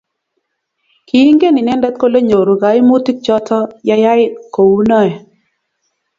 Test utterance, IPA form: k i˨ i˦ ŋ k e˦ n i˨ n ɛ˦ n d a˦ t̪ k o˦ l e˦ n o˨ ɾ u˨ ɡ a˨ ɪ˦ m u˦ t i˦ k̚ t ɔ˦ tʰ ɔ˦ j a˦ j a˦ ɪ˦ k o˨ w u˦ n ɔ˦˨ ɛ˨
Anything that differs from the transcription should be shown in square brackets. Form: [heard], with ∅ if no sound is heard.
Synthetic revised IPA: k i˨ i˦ ŋ [ɡ] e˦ n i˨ n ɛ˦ n d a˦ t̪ k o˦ l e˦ [ɲ] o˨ ɾ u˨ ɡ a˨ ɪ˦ m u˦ t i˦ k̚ [t͡ʃ] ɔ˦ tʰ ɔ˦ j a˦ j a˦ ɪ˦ k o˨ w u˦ n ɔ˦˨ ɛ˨